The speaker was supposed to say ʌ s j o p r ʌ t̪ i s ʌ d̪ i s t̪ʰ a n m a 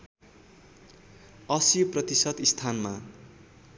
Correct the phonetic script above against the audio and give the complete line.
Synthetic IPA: ʌ s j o p r ʌ t̪ i s ʌ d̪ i s t̪ʰ a n m a